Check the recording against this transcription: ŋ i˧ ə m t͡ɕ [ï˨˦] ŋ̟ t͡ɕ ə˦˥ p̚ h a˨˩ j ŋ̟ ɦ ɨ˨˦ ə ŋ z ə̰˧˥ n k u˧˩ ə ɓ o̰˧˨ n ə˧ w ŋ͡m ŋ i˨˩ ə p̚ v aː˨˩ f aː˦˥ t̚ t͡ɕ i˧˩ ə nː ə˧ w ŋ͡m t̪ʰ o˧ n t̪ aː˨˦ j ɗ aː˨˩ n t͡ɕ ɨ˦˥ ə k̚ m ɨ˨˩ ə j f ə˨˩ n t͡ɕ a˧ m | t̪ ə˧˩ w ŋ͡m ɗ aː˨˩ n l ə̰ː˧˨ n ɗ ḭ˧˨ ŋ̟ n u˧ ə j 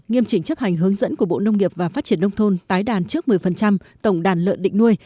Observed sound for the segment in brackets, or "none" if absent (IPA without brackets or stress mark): ï˧˩